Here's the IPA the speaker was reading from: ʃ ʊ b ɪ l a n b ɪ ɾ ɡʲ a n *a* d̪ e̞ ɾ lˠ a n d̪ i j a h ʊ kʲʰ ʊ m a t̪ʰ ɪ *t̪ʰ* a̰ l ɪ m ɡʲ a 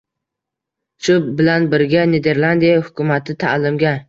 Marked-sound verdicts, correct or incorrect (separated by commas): incorrect, correct